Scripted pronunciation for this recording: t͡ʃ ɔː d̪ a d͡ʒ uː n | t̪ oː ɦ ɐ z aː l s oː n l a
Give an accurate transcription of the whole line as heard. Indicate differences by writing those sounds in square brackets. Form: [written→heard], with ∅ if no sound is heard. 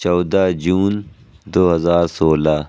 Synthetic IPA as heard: t͡ʃ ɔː d̪ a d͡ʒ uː n | [t̪→d̪] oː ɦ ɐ z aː [l→ɾ] s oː [n→∅] l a